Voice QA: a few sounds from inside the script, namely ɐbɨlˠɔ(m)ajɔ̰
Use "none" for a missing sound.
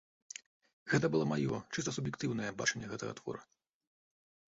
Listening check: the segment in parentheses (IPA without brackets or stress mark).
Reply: m